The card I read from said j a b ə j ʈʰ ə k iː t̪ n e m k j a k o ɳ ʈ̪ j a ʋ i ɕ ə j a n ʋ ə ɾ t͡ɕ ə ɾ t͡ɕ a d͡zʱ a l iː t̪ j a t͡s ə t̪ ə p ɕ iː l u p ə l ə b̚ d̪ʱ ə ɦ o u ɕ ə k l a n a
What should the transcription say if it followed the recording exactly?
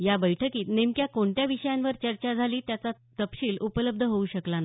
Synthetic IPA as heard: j a b ə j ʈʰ ə k iː t̪ n e m k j a k o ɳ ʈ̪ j a ʋ i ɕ ə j a n ʋ ə ɾ t͡ɕ ə ɾ t͡ɕ a d͡zʱ a l iː t̪ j a t͡s a t̪ ə p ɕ iː l u p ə l ə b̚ d̪ʱ ə ɦ o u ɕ ə k l a n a

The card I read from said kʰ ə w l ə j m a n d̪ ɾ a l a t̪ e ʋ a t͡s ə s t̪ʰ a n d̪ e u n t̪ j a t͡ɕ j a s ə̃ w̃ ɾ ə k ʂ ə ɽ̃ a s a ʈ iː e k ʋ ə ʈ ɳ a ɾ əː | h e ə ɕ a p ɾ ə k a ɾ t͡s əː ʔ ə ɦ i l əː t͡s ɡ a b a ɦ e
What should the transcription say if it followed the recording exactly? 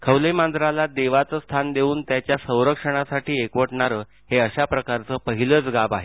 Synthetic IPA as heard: kʰ ə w l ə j m a n d̪ ɾ a l a d̪ e ʋ a t͡s ə s t̪ʰ a n d̪ e uː n t̪ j a t͡ɕ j a s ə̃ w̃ ɾ ə k ʂ ə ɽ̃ a s a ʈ iː e k ʋ ə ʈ ɳ a ɾ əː | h e ə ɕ a p ɾ ə k a ɾ t͡s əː p ə ɦ i l əː t͡s ɡ a b a ɦ e

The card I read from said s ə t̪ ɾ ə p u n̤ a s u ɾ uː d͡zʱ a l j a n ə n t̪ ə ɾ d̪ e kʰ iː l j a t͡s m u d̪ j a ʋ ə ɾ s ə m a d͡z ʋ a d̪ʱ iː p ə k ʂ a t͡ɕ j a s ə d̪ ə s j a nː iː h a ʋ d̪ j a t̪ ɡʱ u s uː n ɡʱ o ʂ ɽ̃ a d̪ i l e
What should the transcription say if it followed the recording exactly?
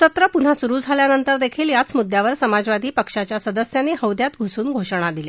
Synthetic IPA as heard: s ə t̪ ɾ ə p u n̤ a s u ɾ uː d͡zʱ a l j a n ə n t̪ ə ɾ d̪ e kʰ iː l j a t͡s m u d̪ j a ʋ ə ɾ s ə m a d͡z ʋ a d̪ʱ iː p ə k ʂ a t͡ɕ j a s ə d̪ ə s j a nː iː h ə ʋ d̪ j a t̪ ɡʱ u s uː n ɡʱ o ʂ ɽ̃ a d̪ i l e

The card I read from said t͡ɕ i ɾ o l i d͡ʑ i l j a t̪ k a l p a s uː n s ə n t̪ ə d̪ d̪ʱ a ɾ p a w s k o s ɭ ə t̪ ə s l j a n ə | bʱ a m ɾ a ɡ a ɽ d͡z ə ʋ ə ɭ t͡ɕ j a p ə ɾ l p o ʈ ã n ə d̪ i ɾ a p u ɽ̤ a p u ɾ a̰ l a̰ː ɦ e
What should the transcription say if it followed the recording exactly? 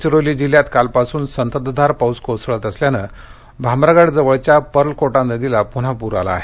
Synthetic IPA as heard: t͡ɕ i ɾ o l i d͡ʑ i l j a t̪ k a l p a s uː n s ə n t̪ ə d̪ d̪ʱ a ɾ p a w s k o s ɭ ə t̪ ə s l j a n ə | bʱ a m ɾ a ɡ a ɽ d͡z ə ʋ ə ɭ t͡ɕ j a p ə ɾ l k o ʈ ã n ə d̪ i l a p u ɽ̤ a p u ɾ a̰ l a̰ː ɦ e

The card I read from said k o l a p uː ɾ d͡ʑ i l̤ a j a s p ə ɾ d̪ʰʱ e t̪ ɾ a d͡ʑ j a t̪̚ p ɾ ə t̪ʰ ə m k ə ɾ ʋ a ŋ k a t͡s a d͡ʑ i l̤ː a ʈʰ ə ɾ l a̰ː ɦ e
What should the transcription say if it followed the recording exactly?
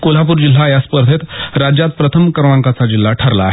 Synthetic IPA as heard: k o l a p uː ɾ d͡ʑ i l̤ a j a s p ə ɾ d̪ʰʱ e t̪ ɾ a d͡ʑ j a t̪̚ p ɾ ə t̪ʰ ə m k ə ɾ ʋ a ŋ k a t͡s a d͡ʑ i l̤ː a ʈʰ ə ɾ l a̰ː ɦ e

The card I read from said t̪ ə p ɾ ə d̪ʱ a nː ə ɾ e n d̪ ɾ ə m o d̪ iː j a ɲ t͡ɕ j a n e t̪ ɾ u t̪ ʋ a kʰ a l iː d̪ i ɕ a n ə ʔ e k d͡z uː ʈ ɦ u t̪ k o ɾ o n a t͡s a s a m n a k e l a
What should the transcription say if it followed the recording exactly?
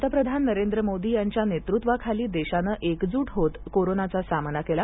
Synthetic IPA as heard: t̪ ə p ɾ ə d̪ʱ a nː ə ɾ e n d̪ ɾ ə m o d̪ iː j a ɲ t͡ɕ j a n e t̪ ɾ u t̪ ʋ a kʰ a l iː d̪ e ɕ a n ə ʔ e k d͡z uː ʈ ɦ o t̪ k o ɾ o n a t͡s a s a m n a k e l a

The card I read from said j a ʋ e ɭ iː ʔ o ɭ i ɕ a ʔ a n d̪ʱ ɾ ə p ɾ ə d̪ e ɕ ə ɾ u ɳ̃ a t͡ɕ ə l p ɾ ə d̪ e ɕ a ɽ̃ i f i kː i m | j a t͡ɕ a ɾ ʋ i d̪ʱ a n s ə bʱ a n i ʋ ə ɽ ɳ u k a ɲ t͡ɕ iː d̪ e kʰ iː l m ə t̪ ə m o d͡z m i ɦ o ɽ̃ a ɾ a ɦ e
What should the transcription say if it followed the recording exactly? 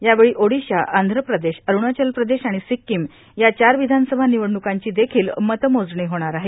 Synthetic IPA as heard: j a ʋ e ɭ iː ʔ o ɽ i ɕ a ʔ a n d̪ʱ ɾ ə p ɾ ə d̪ e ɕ ə ɾ u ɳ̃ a t͡ɕ ə l p ɾ ə d̪ e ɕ a ɽ̃ i s i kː i m | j a t͡ɕ a ɾ ʋ i d̪ʱ a n s ə bʱ a n i ʋ ə ɽ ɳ u k a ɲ t͡ɕ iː d̪ e kʰ iː l m ə t̪ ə m o d͡z ɳ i ɦ o ɽ̃ a ɾ a ɦ e

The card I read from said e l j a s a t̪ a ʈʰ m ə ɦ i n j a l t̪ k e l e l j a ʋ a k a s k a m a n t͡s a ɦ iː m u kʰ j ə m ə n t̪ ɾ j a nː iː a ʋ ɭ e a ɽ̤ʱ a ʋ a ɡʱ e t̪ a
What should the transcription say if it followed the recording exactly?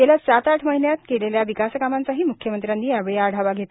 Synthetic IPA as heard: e l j a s a t̪ a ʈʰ m ə ɦ i n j a t̪ k e l e l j a ʋ i k a s k a m a n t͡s a ɦ iː m u kʰ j ə m ə n t̪ ɾ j a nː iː a ʋ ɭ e a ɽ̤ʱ a ʋ a ɡʱ e t̪ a

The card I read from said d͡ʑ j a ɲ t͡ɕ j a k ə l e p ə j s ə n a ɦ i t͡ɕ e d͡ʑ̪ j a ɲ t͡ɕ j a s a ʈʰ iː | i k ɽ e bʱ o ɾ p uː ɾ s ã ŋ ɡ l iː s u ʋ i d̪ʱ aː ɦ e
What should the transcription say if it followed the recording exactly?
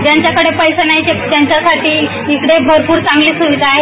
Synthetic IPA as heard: d͡ʑ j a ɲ t͡ɕ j a k ə ɽ e p ə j s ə n a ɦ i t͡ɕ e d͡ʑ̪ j a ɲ t͡ɕ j a s a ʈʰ iː | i k ɽ e bʱ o ɾ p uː ɾ t͡s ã ŋ ɡ l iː s u ʋ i d̪ʱ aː ɦ e

